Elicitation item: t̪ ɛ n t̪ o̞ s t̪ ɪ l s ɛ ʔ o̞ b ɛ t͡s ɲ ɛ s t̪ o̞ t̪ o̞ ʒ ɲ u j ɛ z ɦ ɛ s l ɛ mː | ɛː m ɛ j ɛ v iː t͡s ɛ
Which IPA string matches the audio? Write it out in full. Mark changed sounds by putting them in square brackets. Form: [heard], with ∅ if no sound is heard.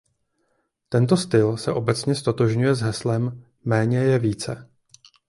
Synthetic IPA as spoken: t̪ ɛ n t̪ o̞ s t̪ ɪ l s ɛ ʔ o̞ b ɛ t͡s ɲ ɛ s t̪ o̞ t̪ o̞ ʒ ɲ u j ɛ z ɦ ɛ s l ɛ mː | ɛː [ɲ] ɛ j ɛ v iː t͡s ɛ